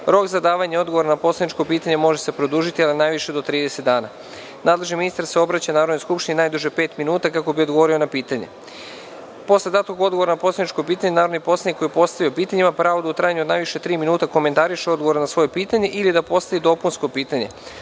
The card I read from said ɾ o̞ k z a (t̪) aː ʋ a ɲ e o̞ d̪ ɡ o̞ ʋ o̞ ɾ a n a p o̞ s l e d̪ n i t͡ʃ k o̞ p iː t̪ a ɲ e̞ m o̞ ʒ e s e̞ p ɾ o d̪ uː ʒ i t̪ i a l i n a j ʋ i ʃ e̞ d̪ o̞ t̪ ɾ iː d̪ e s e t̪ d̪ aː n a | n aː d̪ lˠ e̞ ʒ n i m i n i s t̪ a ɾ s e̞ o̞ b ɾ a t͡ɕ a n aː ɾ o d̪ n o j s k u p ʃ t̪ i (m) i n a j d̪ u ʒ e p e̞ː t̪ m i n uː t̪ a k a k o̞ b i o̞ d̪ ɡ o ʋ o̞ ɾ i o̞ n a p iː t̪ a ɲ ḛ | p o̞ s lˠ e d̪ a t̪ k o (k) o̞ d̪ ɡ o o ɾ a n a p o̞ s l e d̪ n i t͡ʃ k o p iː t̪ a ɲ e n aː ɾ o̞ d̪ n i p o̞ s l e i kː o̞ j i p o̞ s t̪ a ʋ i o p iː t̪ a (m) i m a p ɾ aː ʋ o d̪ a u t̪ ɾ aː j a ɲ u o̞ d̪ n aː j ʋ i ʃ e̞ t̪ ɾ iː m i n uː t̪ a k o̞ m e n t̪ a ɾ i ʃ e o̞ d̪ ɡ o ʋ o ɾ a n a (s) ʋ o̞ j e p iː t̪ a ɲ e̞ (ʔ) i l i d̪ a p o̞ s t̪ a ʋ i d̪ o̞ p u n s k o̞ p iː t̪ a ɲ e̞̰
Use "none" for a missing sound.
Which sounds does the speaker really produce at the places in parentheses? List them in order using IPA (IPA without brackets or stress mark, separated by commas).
d̪, n, ɡ, ɲ, s, ʔ